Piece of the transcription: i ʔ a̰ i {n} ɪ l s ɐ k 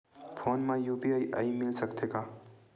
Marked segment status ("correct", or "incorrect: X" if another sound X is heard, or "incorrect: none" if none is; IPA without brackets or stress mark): incorrect: m